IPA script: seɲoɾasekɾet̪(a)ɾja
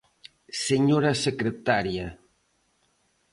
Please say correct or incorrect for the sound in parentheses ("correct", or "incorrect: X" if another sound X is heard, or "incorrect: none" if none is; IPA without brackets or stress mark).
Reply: correct